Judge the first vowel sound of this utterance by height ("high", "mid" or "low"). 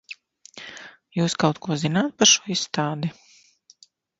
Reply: high